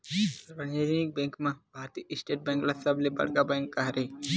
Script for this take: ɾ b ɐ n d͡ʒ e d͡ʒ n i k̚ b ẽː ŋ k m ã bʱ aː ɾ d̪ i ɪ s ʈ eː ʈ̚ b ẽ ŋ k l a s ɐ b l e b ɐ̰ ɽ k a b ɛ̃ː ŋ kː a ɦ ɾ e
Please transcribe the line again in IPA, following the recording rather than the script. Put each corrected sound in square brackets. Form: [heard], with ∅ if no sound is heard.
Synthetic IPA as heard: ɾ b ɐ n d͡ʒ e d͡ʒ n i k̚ b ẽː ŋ k m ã bʱ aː ɾ [t̪] i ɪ s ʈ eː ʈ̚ b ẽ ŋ k l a s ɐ b l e b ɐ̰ ɽ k a b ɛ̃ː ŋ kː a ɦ ɾ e